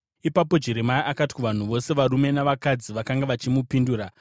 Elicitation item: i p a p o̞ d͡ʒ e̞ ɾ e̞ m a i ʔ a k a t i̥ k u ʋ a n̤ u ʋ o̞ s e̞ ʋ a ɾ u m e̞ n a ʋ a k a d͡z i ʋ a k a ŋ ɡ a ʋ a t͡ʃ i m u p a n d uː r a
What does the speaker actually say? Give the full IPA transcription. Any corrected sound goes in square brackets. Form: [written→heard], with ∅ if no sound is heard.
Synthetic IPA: i p a p o̞ d͡ʒ e̞ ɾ e̞ m a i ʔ a k a t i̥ k u ʋ a n̤ u ʋ o̞ s e̞ ʋ a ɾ u m e̞ n a ʋ a k a d͡z i ʋ a k a ŋ ɡ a ʋ a t͡ʃ i m u p [a→i] n d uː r a

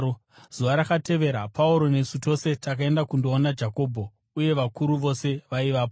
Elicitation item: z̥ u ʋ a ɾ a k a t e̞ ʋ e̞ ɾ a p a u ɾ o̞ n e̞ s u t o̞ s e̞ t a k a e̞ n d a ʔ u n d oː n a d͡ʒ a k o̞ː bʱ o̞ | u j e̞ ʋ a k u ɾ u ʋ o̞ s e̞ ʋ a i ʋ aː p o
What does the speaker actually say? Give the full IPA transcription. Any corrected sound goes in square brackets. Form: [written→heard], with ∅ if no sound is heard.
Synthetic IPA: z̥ u ʋ a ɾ a k a t e̞ ʋ e̞ ɾ a p a u ɾ o̞ n e̞ s u t o̞ s e̞ t a k a e̞ n d a [ʔ→k] u n d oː n a d͡ʒ a k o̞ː bʱ o̞ | u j e̞ ʋ a k u ɾ u ʋ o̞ s e̞ ʋ a i ʋ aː p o

